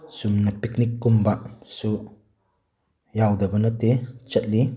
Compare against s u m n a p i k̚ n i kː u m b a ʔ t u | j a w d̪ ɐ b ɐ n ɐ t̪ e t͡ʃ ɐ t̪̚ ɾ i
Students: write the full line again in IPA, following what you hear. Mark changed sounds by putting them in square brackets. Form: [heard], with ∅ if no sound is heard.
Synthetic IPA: s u m n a p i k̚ n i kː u m b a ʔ [s] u | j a w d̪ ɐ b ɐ n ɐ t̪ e t͡ʃ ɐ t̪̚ [l] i